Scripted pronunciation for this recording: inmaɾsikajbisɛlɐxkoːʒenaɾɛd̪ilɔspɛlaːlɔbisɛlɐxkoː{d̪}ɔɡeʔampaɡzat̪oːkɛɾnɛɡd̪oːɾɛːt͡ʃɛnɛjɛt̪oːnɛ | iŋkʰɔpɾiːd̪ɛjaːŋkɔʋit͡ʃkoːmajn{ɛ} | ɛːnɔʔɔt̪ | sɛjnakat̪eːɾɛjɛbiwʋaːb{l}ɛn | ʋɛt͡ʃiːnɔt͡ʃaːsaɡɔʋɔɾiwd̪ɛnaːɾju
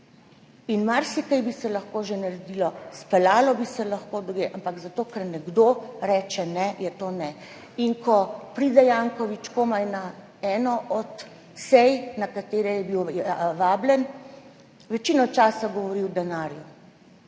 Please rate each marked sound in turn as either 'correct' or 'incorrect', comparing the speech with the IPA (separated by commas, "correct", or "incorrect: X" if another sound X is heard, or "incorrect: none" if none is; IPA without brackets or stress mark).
correct, incorrect: a, correct